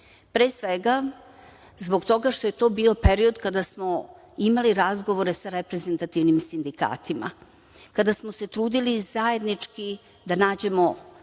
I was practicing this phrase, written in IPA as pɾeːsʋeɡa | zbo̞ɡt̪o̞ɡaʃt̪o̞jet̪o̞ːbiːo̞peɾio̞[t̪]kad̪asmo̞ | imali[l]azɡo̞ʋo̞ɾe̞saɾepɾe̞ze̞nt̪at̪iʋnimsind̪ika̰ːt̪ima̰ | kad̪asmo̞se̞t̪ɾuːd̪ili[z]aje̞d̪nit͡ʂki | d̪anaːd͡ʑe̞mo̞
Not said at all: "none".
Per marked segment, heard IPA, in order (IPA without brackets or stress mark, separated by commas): d̪, ɾ, z